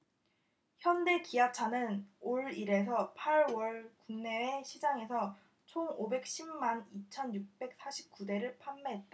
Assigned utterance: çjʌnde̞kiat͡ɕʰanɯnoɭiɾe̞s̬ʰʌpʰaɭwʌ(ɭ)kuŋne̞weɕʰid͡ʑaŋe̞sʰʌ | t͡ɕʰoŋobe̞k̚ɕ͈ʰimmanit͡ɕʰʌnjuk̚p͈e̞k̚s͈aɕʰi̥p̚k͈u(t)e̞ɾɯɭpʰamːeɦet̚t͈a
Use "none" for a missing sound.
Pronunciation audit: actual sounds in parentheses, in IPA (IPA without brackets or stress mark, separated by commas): ɭ, d